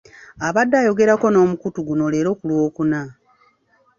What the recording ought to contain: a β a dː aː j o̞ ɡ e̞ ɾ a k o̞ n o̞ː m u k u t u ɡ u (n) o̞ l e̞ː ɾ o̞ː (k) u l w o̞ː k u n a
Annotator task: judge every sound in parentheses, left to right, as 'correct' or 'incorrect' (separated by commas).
correct, correct